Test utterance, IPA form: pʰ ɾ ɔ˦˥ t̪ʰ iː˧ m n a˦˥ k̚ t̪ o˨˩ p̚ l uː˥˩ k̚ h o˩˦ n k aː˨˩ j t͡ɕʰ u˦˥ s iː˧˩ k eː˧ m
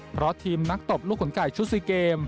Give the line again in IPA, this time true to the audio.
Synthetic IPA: pʰ ɾ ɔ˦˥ t̪ʰ iː˧ m n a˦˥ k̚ t̪ o˨˩ p̚ l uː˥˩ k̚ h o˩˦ n k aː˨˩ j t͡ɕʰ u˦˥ s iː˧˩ k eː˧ m